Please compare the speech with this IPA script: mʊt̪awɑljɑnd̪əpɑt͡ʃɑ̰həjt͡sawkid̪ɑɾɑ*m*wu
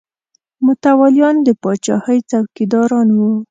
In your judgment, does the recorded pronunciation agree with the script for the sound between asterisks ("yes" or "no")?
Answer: no